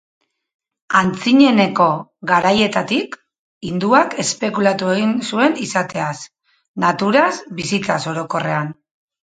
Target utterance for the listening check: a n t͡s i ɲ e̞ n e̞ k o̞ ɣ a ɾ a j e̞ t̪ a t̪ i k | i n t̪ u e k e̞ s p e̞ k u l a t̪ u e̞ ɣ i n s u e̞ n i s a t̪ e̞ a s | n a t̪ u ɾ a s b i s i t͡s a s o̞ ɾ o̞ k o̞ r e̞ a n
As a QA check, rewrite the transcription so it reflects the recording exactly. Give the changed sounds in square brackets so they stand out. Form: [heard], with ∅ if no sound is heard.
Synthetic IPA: a n t͡s i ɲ e̞ n e̞ k o̞ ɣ a ɾ a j e̞ t̪ a t̪ i k | i n [d̪] u [a] k e̞ s p e̞ k u l a t̪ u e̞ ɣ i n s u e̞ n i s a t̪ e̞ a s | n a t̪ u ɾ a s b i s i t͡s a s o̞ ɾ o̞ k o̞ r e̞ a n